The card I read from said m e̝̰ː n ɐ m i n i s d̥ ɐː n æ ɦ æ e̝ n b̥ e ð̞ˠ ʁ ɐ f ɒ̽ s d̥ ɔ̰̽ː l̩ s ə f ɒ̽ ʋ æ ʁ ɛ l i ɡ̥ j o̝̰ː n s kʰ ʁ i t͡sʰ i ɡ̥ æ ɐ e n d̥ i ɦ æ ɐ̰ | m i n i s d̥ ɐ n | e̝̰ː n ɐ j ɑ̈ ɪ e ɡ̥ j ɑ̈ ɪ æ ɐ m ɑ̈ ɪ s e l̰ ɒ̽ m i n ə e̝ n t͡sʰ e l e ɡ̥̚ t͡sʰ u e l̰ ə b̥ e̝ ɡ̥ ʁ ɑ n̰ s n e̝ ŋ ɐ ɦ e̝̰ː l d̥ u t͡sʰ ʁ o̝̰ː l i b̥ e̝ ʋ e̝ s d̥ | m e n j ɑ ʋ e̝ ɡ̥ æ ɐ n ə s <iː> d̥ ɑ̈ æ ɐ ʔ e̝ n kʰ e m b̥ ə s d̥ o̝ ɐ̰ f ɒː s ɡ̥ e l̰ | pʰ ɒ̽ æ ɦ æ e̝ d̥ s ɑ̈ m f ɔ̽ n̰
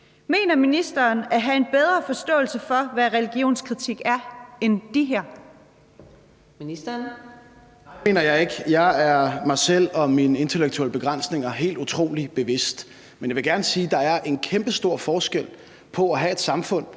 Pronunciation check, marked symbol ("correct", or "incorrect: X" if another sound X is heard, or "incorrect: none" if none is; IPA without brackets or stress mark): correct